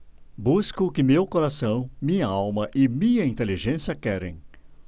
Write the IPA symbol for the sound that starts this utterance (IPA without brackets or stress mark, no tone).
b